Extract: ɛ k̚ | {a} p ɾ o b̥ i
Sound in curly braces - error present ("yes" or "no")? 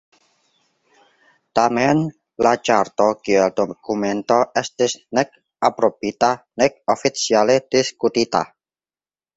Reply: no